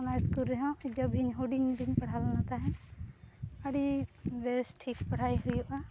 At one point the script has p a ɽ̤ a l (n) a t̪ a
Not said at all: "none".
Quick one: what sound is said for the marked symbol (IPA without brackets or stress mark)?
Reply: n